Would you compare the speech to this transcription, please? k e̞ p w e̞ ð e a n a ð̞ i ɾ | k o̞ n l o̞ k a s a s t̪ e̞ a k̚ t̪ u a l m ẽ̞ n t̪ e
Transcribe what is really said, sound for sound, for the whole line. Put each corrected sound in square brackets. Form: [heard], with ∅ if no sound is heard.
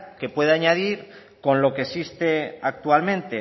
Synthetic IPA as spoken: k e̞ p w e̞ ð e a [ɲ] a ð̞ i ɾ | k o̞ n l o̞ k [e] s [i] s t̪ e̞ a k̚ t̪ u a l m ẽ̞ n t̪ e